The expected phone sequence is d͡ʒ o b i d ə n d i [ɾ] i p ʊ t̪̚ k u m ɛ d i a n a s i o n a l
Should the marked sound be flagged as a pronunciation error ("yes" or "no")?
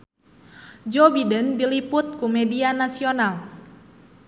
yes